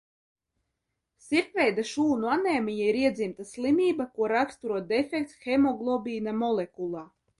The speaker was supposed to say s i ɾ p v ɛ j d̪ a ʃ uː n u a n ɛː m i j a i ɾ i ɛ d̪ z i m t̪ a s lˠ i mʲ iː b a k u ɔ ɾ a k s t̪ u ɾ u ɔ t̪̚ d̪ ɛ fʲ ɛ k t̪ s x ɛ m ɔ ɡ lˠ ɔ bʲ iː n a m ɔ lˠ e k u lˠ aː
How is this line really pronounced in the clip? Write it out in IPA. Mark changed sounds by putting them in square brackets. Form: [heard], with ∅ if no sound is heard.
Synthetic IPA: s i ɾ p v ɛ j d̪ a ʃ uː n u a n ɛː m i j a i ɾ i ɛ d̪ z i m t̪ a s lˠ i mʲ iː b a k u ɔ ɾ a k s t̪ u ɾ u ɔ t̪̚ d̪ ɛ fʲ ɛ k t̪ s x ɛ m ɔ ɡ lˠ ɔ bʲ iː n a m ɔ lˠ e k u lˠ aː